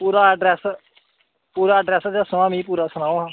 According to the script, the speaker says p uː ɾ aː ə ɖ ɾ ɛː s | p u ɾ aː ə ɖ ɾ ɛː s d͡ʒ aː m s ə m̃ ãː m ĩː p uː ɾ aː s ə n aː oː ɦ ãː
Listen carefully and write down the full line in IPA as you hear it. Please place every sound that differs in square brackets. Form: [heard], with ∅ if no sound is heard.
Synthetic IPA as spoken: p uː ɾ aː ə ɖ ɾ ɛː s | p [uː] ɾ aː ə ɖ ɾ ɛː s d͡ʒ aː [∅] s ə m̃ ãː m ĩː p uː ɾ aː s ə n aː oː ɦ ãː